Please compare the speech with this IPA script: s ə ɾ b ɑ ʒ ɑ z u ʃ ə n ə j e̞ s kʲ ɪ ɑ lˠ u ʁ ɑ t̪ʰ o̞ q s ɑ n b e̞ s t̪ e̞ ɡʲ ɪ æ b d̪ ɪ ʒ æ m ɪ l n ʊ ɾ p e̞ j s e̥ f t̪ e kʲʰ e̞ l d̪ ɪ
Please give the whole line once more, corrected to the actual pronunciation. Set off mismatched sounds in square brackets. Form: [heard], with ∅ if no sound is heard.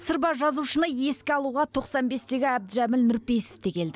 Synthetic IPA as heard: s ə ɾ b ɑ ʒ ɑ z u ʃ ə n ə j e̞ s kʲ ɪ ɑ lˠ u ʁ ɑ t̪ʰ o̞ q s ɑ n b e̞ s t̪ e̞ ɡʲ ɪ æ b d̪ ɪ ʒ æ m ɪ l n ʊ ɾ p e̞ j s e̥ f t̪ e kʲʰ e̞ l d̪ ɪ